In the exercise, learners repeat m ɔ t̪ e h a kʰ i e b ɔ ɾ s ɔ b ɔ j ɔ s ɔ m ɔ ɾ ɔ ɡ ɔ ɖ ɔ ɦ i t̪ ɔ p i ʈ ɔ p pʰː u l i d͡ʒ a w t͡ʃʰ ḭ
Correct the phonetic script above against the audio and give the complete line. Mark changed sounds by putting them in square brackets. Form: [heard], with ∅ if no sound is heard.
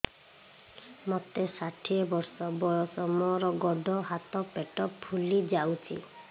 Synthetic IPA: m ɔ t̪ e [s] a [ʈʰ] i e b ɔ ɾ s ɔ b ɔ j ɔ s ɔ m ɔ ɾ ɔ ɡ ɔ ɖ ɔ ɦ [a] t̪ ɔ p [e] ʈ ɔ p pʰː u l i d͡ʒ a w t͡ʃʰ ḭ